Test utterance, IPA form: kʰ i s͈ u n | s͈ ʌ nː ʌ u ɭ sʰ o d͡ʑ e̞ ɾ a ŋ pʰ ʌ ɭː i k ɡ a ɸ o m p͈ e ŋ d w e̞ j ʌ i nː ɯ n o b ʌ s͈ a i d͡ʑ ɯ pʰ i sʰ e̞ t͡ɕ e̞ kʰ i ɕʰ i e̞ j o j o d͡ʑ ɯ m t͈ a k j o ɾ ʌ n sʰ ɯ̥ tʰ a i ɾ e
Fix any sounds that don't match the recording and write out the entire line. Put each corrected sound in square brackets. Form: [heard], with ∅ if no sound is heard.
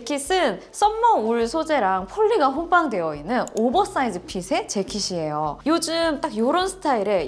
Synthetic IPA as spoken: kʰ i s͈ [ɯ] n | s͈ ʌ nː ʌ u ɭ sʰ o d͡ʑ e̞ ɾ a ŋ pʰ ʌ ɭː i [∅] ɡ a ɸ o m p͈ [a] ŋ d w e̞ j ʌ i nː ɯ n o b ʌ s͈ a i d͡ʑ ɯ pʰ i sʰ e̞ t͡ɕ e̞ kʰ i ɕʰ i e̞ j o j o d͡ʑ ɯ m t͈ a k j o ɾ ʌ n sʰ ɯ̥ tʰ a i ɾ e